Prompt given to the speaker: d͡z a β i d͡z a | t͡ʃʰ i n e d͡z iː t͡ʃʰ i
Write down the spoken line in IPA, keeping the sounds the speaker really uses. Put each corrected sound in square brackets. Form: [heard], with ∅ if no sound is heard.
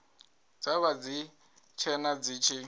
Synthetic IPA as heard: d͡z a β [a] d͡z [i] | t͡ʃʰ [ɛ] n [a] d͡z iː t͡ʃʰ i

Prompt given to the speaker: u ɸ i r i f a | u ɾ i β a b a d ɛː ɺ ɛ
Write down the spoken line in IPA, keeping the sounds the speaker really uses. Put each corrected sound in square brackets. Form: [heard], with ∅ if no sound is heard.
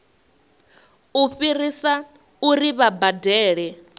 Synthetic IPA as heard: u ɸ i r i [s] a | u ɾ i β a b a d ɛː ɺ ɛ

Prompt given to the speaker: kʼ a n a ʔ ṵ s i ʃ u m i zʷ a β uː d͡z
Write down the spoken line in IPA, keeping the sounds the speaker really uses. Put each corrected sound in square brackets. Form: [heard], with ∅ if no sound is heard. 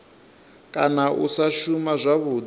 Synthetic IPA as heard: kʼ a n a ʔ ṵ s [a] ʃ u m [a] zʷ a β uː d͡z

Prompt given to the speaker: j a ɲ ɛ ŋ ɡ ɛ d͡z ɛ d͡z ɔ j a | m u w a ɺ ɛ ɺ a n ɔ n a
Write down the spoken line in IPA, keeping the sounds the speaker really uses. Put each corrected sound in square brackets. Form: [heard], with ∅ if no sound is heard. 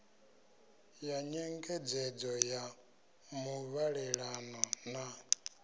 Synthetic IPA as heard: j a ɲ ɛ ŋ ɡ ɛ d͡z ɛ d͡z ɔ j a | m u [β] a ɺ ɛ ɺ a n ɔ n a

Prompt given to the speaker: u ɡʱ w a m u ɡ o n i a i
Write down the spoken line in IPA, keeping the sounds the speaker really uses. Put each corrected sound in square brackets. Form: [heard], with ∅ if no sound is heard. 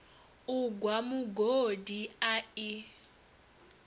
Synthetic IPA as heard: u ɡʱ w a m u ɡ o [d] i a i

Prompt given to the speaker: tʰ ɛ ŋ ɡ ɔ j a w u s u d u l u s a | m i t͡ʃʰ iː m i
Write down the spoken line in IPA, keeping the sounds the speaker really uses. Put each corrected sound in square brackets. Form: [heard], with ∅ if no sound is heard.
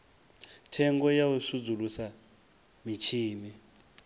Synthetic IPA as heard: tʰ ɛ ŋ ɡ ɔ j a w u s u [d͡z] u l u s a | m i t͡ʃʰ iː m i

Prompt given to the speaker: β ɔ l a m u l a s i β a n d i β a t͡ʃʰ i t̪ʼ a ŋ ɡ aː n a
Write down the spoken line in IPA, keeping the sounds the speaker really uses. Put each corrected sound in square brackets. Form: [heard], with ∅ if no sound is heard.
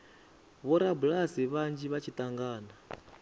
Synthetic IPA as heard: β ɔ [ɾ] a [b] u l a s i β a n [d͡ʒ] i β a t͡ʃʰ i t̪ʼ a ŋ ɡ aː n a

